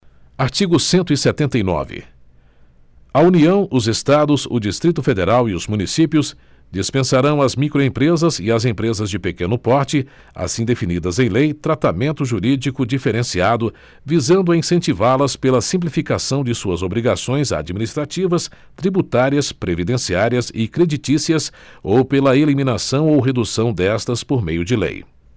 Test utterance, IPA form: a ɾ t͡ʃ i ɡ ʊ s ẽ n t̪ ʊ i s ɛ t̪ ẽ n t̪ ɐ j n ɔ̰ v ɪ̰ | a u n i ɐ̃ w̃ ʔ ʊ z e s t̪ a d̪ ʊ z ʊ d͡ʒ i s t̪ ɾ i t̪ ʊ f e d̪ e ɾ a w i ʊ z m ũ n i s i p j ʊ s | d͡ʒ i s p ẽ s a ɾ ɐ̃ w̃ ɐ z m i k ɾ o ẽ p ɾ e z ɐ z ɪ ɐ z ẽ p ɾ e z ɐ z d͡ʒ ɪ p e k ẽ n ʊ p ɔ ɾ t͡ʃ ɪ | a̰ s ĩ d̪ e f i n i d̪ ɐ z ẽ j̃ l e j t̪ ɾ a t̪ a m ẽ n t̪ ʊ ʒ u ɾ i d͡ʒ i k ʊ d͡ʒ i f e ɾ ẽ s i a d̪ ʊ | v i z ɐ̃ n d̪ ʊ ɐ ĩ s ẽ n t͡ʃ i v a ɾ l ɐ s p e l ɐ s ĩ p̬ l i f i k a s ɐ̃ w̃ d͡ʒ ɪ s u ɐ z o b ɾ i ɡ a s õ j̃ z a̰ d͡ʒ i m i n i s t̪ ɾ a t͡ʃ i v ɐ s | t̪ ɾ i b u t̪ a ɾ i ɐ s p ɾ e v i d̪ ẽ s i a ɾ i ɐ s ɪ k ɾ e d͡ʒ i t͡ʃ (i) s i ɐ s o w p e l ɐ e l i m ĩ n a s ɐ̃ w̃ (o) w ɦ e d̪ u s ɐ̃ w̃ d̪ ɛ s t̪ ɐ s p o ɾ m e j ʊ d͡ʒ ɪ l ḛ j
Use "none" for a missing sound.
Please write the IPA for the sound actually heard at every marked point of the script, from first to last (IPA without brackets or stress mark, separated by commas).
i, o